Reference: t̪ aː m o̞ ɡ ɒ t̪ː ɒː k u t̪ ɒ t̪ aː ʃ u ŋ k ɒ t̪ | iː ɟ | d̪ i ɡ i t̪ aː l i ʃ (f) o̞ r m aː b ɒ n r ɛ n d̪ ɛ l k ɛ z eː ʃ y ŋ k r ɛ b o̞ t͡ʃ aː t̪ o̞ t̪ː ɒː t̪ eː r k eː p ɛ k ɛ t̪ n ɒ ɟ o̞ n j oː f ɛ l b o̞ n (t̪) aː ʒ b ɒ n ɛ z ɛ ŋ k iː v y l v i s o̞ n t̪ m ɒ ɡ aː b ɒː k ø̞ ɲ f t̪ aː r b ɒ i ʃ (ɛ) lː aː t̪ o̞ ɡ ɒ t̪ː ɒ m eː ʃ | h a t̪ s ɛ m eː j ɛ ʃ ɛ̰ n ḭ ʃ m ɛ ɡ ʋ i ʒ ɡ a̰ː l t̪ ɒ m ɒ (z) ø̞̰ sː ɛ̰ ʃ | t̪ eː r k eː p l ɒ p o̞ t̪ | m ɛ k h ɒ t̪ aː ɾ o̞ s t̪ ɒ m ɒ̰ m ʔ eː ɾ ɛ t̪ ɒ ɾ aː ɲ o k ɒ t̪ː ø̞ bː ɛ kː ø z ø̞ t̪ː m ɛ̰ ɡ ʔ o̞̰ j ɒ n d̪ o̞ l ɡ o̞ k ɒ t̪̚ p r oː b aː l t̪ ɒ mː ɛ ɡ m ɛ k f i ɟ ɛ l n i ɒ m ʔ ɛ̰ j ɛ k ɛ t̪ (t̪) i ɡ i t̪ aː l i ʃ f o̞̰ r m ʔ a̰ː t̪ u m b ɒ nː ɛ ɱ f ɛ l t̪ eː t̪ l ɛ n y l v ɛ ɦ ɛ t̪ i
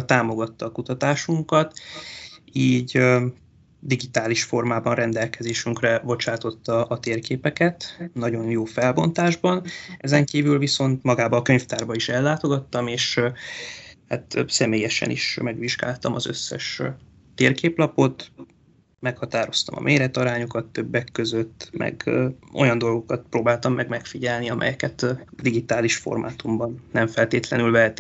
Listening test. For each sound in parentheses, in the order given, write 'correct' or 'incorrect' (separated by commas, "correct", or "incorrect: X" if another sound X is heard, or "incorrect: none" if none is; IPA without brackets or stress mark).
correct, correct, correct, correct, incorrect: d̪